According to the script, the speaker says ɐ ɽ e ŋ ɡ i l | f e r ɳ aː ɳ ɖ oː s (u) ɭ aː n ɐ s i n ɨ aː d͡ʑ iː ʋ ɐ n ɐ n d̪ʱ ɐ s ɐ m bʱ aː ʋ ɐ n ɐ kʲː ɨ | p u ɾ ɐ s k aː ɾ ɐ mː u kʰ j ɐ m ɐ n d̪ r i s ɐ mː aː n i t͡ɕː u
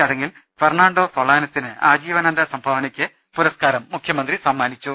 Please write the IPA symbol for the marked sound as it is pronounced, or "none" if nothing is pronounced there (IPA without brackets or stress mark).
o